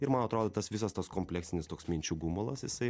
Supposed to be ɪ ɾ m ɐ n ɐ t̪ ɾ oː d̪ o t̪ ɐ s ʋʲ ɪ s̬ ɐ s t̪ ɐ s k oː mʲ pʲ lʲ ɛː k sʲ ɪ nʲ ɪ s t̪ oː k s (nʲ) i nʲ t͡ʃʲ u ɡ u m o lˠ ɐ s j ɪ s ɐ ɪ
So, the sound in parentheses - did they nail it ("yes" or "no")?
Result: no